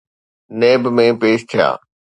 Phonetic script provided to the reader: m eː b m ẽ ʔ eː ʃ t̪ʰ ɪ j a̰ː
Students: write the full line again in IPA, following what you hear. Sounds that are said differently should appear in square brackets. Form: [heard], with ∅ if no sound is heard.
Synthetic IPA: [n] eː b m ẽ [p] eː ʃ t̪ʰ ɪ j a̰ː